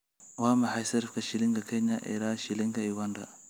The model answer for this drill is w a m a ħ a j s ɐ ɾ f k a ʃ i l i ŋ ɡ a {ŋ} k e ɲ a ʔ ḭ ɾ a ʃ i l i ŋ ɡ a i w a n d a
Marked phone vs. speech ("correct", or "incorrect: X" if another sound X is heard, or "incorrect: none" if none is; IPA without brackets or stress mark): incorrect: none